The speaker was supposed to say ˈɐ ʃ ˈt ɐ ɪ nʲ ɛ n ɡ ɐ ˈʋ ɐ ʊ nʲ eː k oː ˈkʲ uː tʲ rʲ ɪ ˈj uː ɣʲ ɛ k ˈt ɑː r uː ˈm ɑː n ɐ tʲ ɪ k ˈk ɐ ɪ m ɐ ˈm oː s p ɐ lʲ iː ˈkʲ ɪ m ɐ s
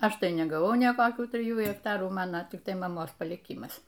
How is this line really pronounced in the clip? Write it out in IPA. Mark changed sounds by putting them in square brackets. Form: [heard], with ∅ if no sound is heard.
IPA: ˈɐ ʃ ˈt ɐ ɪ nʲ ɛ [∅] ɡ ɐ ˈʋ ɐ ʊ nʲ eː k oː ˈkʲ uː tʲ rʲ ɪ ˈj uː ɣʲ ɛ k ˈt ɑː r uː ˈm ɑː n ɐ tʲ ɪ k [ˈt] ɐ ɪ m ɐ ˈm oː s p ɐ lʲ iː ˈkʲ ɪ m ɐ s